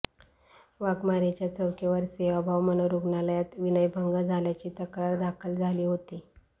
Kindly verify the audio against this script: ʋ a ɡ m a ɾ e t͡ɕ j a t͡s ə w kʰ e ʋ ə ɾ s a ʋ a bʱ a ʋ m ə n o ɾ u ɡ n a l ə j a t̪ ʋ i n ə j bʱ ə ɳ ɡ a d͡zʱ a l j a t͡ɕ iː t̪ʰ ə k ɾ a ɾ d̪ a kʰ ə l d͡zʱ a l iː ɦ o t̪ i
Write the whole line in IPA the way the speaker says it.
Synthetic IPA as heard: ʋ a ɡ m a ɾ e t͡ɕ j a t͡s ə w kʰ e ʋ ə ɾ s e ʋ a bʱ a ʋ m ə n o ɾ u ɡ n a l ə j a t̪ ʋ i n ə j bʱ ə ŋ ɡ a d͡zʱ a l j a t͡ɕ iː t̪ ə k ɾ a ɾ d̪ a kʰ ə l d͡zʱ a l iː ɦ o t̪ i